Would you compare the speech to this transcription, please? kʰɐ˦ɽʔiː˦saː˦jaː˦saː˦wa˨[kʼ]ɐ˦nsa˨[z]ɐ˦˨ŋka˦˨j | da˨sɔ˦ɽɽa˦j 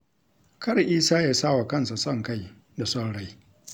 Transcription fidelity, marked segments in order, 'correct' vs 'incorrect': incorrect: k, incorrect: s

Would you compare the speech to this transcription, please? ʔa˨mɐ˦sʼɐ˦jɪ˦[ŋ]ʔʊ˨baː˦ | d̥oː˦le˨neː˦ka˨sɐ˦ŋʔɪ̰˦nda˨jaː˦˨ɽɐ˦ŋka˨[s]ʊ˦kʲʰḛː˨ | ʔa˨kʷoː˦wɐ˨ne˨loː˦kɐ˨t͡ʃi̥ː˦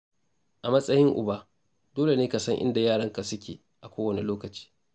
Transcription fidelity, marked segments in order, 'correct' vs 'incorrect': correct, correct

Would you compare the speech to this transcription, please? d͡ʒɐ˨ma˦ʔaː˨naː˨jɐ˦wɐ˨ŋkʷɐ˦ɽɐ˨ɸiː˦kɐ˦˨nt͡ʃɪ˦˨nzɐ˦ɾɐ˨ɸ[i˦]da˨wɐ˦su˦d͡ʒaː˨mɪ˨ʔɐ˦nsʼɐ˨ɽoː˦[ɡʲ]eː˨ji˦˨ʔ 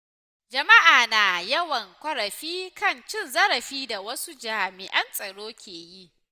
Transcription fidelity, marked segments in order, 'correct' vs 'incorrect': incorrect: iː˦, incorrect: kʲ

